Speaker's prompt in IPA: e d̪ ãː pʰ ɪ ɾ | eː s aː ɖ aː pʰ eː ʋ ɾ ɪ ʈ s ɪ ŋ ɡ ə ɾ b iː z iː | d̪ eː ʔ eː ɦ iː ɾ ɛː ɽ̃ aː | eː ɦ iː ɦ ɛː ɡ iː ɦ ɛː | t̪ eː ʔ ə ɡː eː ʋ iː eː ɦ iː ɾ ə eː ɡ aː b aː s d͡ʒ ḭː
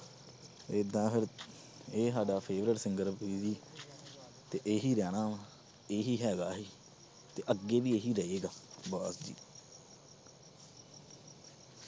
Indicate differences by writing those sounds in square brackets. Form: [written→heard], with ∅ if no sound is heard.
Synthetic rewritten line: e d̪ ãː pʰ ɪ ɾ | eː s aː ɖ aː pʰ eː ʋ ɾ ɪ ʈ s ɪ ŋ ɡ ə ɾ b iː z iː | [d̪→t̪] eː ʔ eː ɦ iː ɾ ɛː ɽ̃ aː | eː ɦ iː ɦ ɛː ɡ [iː→aː] ɦ [ɛː→iː] | t̪ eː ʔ ə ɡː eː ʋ iː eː ɦ iː ɾ ə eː ɡ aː b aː s d͡ʒ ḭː